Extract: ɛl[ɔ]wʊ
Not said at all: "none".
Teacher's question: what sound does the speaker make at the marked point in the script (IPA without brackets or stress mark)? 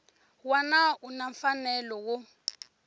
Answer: ɔ